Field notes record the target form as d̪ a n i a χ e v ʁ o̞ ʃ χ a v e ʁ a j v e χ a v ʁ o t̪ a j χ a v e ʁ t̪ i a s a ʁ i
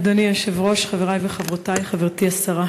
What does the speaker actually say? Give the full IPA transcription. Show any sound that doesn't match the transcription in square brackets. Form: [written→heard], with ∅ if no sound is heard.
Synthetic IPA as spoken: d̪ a n i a [χ→ʃ] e v ʁ o̞ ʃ χ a v e ʁ a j v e χ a v ʁ o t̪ a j χ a v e ʁ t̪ i a s a ʁ [i→a]